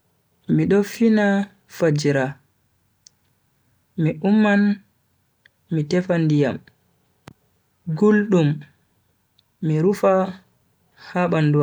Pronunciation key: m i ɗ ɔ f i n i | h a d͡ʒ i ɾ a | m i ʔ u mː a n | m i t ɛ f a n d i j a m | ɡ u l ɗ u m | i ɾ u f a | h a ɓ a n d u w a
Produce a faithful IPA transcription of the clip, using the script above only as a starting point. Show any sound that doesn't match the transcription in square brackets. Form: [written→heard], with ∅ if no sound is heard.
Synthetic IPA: m i ɗ ɔ f i n [i→a] | [h→f] a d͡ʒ i ɾ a | m i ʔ u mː a n | m i t ɛ f a n d i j a m | ɡ u l ɗ u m | i ɾ u f a | h a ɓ a n d u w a